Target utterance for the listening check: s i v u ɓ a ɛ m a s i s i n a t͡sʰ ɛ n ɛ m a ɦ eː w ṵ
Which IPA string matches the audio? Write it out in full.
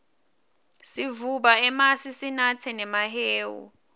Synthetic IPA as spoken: s i v u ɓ a ɛ m a s i s i n a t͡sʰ ɛ n ɛ m a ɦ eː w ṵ